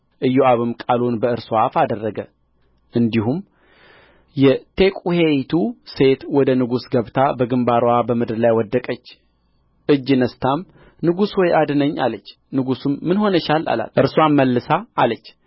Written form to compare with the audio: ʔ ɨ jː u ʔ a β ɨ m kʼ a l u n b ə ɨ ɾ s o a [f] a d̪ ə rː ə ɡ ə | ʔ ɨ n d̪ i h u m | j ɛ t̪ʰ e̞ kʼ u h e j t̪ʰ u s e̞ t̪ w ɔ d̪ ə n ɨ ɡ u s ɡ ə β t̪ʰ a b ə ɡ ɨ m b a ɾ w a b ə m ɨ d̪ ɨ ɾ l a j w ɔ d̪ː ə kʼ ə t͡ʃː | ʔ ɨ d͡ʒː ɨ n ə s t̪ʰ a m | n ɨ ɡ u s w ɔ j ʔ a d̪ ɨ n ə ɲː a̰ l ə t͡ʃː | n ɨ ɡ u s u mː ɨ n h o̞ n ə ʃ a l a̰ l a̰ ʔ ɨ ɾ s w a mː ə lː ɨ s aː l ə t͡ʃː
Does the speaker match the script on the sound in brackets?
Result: yes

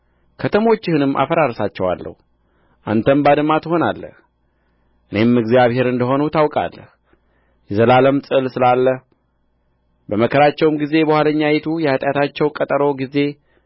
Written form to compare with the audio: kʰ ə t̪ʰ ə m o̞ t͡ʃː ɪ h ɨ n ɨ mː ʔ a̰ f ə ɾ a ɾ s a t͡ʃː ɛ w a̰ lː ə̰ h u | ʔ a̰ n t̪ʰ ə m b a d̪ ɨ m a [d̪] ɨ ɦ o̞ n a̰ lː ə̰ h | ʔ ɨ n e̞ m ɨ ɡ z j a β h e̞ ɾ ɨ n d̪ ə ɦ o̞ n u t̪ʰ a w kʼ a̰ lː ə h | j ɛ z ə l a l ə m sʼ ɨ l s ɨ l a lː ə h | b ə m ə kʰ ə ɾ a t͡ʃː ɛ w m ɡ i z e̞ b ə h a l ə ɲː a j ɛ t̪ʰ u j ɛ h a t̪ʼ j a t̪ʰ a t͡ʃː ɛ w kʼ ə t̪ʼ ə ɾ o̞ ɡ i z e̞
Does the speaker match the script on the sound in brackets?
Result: no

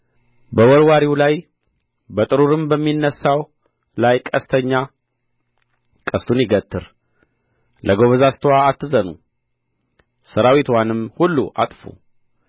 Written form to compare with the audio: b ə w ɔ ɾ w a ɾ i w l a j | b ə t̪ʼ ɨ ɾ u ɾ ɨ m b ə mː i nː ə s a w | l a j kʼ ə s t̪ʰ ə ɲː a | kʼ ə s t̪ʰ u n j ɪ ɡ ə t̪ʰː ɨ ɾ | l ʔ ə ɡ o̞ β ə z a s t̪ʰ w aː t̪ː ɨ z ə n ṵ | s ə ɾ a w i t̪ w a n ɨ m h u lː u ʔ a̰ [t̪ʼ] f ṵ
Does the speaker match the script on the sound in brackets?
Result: yes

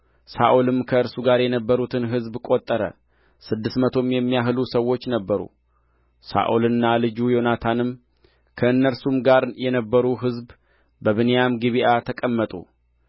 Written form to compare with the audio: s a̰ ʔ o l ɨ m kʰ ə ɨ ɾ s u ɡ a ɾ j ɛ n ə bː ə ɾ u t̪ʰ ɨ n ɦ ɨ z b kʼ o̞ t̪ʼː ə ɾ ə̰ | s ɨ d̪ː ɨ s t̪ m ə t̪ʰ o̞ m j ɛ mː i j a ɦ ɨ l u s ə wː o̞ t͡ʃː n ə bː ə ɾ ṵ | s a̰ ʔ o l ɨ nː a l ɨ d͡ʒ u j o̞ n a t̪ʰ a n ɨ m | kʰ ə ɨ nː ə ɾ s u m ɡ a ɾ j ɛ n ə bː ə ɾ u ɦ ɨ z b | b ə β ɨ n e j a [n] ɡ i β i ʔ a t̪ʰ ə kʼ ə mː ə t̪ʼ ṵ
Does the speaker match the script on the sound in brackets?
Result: no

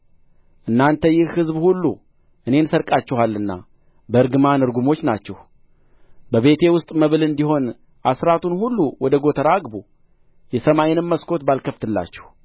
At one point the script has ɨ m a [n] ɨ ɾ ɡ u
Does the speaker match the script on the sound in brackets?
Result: yes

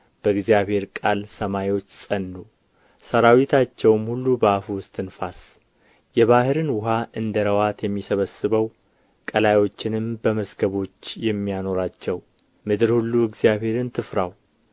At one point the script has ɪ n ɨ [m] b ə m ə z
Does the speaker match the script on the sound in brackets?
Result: yes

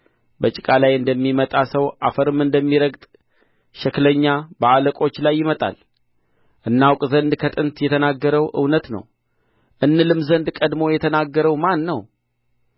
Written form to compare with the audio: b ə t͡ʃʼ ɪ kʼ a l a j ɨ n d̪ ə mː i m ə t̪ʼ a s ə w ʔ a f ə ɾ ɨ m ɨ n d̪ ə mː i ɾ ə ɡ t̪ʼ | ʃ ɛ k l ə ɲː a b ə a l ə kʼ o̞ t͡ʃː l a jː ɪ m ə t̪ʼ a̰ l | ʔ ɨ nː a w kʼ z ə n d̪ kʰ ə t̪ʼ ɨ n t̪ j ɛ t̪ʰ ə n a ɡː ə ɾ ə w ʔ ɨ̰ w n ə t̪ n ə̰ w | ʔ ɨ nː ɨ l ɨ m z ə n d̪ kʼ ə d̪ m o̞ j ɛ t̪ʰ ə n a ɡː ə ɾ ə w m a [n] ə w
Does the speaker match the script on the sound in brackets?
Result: no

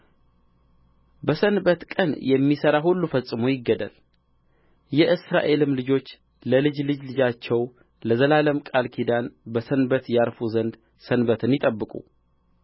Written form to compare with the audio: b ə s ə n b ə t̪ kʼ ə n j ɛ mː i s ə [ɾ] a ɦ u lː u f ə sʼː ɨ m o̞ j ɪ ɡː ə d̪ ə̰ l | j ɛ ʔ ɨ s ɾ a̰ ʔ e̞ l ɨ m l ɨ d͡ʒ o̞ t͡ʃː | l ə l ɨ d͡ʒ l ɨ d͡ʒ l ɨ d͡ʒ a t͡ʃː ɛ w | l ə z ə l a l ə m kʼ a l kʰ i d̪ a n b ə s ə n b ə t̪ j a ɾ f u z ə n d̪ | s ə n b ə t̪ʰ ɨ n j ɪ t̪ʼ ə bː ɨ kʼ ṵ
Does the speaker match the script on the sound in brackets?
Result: yes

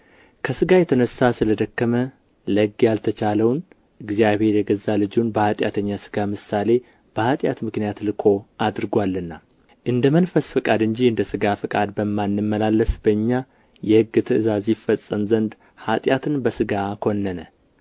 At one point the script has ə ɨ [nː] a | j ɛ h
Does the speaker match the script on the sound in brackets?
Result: no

